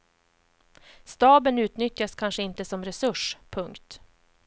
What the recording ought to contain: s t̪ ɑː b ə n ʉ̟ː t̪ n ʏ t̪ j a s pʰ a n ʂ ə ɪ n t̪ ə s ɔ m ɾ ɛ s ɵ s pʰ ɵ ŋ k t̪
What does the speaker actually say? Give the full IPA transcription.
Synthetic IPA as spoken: s t̪ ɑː b ə n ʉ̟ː t̪ n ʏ t̪ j a s kʰ a n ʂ ə ɪ n t̪ ə s ɔ m ɾ ɛ s ɵ ʂ pʰ ɵ ŋ k t̪